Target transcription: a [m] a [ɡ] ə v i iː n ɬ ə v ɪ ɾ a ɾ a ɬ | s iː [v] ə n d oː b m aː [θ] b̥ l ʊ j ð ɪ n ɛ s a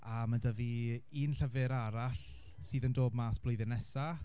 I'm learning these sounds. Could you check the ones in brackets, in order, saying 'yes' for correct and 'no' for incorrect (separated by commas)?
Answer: yes, no, no, no